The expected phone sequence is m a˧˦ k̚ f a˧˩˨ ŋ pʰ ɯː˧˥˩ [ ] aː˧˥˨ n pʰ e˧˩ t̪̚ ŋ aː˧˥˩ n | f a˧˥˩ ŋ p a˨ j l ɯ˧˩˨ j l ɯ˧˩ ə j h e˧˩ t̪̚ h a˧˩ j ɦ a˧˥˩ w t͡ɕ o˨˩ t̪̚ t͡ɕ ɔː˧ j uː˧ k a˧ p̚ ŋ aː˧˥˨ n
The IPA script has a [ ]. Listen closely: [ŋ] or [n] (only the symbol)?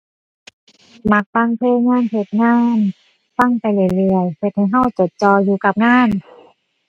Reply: ŋ